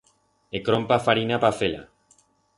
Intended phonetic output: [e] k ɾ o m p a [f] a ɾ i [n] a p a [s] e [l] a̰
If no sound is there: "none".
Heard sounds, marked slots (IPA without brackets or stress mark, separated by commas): e, f, n, f, l